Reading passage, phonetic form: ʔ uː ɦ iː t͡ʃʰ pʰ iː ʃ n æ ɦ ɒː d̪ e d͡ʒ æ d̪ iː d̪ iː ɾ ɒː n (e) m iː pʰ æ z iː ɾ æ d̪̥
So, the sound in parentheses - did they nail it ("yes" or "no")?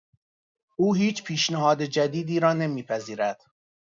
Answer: yes